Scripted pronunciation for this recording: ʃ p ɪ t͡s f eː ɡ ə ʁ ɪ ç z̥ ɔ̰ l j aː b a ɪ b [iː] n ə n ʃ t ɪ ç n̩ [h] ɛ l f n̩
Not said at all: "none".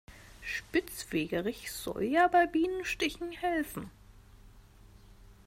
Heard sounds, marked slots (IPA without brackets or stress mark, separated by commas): iː, h